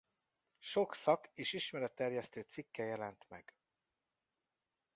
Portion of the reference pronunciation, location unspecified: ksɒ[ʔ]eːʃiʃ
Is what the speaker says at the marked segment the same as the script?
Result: no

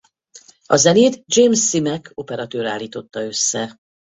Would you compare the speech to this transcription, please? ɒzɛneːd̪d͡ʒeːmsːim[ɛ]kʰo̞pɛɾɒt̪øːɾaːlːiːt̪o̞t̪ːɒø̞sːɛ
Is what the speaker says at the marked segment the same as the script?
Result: yes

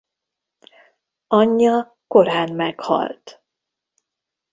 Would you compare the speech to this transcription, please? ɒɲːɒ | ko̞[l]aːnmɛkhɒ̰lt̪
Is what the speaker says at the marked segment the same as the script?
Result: no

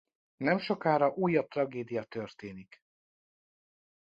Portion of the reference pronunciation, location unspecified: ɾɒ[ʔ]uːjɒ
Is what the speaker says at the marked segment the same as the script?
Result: yes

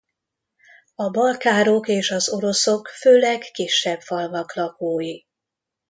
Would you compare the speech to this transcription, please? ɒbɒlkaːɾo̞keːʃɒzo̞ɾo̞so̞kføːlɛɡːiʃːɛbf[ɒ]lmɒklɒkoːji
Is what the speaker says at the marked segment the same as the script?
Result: yes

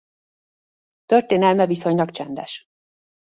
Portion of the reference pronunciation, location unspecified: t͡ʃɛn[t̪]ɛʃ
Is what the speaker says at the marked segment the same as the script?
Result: no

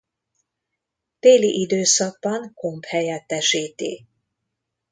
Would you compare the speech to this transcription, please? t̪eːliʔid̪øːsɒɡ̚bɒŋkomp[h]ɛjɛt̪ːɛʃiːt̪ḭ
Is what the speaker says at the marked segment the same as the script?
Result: yes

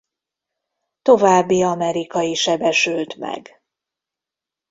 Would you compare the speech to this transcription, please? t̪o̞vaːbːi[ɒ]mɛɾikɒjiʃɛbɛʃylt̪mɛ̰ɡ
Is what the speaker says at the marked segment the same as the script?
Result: yes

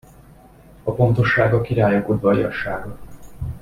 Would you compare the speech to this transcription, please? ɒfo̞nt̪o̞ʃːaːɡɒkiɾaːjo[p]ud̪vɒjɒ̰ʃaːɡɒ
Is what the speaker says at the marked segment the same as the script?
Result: no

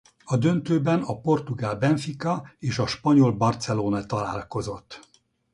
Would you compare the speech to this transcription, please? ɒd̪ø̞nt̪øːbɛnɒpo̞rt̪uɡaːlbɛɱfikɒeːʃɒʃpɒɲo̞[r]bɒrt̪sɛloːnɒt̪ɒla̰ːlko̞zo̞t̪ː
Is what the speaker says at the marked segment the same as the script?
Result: no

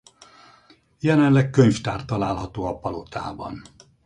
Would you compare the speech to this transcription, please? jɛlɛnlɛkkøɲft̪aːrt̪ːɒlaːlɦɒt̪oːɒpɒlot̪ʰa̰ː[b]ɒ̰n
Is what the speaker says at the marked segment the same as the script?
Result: yes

